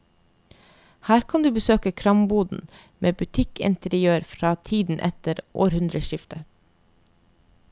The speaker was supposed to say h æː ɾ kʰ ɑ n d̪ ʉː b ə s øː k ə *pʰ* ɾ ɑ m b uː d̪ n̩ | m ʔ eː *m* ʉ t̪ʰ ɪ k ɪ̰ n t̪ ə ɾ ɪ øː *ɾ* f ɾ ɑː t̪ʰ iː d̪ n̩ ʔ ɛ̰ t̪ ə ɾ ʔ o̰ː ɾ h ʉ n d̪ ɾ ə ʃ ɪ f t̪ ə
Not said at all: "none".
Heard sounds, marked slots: kʰ, b, ɾ

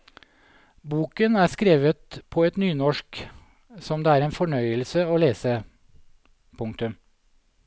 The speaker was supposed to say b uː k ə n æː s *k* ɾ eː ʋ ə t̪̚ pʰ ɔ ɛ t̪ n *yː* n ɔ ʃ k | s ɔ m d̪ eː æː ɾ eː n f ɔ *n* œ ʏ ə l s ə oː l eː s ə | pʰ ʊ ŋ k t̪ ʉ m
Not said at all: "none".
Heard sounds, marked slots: k, yː, ɳ

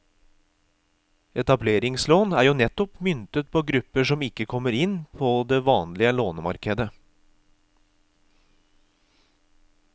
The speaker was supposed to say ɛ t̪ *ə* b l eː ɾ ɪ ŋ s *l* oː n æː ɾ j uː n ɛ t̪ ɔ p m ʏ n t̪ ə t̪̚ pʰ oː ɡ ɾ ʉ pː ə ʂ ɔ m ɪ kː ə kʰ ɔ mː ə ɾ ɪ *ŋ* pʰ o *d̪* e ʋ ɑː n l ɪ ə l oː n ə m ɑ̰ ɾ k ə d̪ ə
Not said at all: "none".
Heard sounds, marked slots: ɑ, l, n, d̪

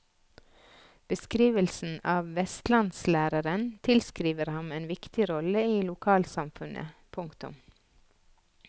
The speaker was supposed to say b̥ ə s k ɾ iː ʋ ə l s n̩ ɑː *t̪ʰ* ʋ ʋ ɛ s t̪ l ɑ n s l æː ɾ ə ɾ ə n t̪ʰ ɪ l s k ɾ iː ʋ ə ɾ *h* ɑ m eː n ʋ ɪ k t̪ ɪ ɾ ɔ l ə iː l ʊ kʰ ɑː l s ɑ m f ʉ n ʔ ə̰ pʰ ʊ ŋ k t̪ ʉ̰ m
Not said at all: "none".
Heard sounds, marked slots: none, h

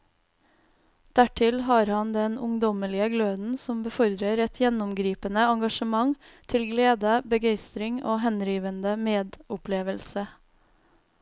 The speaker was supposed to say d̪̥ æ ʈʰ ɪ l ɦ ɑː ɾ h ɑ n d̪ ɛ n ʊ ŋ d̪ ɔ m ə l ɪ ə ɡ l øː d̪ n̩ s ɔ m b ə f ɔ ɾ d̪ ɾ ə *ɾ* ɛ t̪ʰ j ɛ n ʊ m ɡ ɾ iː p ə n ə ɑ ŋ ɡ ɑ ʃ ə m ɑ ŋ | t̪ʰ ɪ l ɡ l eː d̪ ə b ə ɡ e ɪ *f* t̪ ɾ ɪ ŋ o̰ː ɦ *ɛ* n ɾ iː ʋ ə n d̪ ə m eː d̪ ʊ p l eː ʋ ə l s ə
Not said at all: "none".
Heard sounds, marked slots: ɾ, s, ɛ

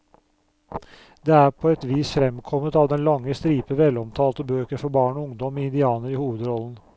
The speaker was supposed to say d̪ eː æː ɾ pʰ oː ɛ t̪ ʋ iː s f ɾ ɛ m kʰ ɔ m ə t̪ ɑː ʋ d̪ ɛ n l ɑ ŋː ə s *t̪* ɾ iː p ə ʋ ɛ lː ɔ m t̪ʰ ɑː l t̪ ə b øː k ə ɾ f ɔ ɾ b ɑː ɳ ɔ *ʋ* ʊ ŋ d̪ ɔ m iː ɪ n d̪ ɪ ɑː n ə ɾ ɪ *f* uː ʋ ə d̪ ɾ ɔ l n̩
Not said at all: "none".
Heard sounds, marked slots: t̪, none, h

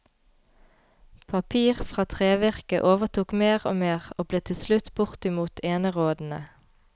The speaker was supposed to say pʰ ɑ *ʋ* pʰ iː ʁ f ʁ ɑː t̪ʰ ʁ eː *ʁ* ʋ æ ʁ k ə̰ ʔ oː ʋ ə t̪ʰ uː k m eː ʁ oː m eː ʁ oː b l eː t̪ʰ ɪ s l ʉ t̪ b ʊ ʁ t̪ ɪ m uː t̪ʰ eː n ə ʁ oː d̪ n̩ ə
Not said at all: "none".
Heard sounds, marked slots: none, none

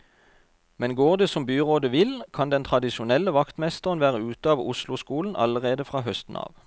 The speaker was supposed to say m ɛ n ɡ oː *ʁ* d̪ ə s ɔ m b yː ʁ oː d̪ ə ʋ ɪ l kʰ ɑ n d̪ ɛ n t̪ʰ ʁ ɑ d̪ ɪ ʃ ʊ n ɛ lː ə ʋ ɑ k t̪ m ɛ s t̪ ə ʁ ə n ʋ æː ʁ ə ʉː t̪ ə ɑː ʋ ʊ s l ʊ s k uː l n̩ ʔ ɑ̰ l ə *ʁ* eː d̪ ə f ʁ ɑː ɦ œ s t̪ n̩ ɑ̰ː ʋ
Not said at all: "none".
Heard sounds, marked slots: ʁ, ʁ

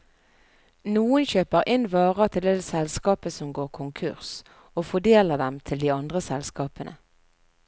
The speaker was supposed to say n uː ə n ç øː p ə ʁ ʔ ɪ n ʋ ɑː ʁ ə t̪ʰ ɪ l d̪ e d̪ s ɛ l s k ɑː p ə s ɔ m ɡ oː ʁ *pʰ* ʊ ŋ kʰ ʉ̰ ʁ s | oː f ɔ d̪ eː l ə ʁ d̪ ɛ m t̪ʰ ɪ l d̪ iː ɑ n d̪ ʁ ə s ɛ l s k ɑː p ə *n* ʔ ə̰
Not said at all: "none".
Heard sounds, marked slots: kʰ, n

